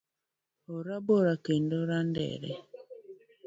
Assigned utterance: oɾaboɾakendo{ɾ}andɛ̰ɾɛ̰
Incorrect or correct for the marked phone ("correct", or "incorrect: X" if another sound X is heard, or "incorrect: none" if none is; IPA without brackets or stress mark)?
correct